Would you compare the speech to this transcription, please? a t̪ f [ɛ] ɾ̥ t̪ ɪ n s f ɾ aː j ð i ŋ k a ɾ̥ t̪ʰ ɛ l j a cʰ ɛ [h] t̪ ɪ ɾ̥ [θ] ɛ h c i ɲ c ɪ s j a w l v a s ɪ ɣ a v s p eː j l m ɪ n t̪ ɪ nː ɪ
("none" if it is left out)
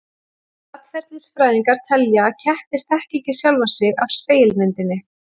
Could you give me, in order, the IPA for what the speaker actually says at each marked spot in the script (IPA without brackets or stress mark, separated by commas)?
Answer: ɛ, h, θ